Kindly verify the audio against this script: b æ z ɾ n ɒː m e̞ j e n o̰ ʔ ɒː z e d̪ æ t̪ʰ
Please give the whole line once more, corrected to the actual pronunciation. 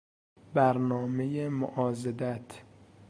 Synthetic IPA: b æ ɾ n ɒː m e̞ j e m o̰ ʔ ɒː z e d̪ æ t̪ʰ